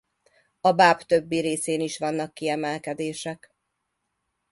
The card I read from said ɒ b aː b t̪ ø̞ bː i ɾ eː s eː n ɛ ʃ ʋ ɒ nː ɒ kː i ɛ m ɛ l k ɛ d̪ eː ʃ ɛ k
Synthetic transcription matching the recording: ɒ b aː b t̪ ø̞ bː i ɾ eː s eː n i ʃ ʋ ɒ nː ɒ kː i ɛ m ɛ l k ɛ d̪ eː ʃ ɛ k